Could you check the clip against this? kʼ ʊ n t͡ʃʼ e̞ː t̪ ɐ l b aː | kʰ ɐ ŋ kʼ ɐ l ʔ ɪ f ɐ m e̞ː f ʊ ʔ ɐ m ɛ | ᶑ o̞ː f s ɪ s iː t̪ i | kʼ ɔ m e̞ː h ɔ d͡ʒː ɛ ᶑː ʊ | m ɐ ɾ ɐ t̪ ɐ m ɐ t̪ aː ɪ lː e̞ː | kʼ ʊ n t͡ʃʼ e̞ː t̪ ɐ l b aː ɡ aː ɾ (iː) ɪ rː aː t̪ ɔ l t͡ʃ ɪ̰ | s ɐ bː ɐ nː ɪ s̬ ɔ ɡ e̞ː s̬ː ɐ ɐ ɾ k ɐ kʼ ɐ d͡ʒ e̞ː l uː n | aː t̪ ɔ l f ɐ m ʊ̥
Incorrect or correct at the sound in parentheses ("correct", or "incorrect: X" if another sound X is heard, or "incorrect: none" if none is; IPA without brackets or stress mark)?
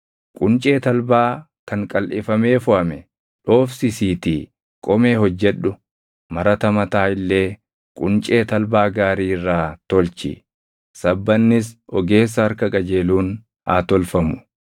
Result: correct